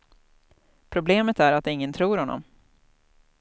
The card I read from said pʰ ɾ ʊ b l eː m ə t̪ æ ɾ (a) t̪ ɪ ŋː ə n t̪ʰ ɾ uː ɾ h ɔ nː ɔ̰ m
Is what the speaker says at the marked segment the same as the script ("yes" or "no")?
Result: yes